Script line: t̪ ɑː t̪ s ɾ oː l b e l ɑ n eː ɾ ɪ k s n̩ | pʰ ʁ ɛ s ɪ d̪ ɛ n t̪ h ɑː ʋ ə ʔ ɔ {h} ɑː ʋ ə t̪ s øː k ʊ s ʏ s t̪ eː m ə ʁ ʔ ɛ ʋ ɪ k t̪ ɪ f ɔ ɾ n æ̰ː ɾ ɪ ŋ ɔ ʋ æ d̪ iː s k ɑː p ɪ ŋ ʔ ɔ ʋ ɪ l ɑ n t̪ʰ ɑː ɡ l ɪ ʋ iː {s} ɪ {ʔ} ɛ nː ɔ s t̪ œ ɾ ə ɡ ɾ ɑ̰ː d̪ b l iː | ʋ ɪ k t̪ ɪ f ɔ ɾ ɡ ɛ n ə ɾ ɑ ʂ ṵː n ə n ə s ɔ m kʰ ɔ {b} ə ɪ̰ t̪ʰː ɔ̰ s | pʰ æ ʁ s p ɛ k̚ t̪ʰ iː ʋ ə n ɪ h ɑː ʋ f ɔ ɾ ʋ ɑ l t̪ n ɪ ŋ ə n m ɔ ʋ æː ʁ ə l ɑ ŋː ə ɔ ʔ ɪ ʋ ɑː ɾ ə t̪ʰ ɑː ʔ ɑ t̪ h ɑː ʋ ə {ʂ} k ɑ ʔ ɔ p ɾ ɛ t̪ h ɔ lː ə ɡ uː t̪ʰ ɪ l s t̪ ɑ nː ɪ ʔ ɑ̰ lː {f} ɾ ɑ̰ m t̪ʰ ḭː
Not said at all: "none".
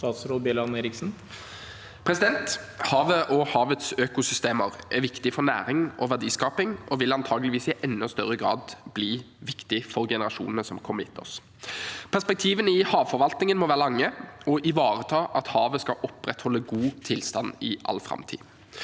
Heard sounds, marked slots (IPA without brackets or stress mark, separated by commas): h, s, ʔ, m, s, f